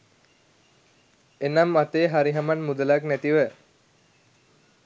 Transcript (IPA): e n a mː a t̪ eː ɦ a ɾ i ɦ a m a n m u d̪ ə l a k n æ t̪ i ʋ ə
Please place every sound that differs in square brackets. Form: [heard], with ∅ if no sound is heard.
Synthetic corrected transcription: e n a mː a t̪ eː ɦ a ɾ i ɦ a m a n m u d̪ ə l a k n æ t̪ i ʋ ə